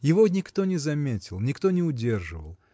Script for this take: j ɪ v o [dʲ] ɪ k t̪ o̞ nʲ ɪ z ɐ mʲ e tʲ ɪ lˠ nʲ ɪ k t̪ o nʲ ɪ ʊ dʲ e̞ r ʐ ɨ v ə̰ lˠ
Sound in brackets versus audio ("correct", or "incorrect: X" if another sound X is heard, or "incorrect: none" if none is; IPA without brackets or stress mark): incorrect: nʲ